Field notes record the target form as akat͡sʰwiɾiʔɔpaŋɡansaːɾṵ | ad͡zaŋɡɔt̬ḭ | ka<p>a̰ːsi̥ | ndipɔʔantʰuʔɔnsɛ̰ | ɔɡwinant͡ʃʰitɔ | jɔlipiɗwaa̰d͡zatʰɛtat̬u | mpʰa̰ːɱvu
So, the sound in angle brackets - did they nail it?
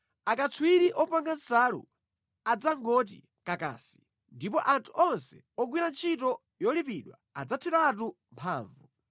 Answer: no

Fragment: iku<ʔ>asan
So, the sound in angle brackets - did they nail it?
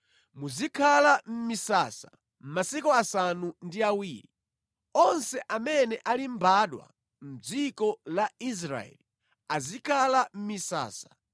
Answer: no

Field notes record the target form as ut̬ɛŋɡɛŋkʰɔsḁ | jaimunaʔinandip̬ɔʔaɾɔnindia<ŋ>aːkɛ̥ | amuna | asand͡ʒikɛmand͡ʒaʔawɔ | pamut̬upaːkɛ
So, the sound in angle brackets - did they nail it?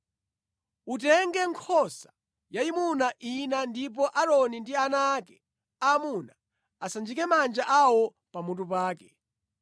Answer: no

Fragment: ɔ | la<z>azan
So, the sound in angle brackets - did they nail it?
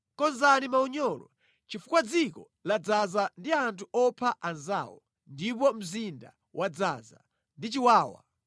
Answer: no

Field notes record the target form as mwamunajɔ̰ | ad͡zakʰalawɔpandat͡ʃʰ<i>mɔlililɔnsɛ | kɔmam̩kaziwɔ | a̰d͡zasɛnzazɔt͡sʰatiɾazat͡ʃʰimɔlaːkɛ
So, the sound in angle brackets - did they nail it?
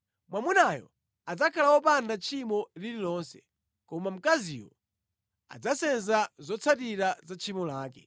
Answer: yes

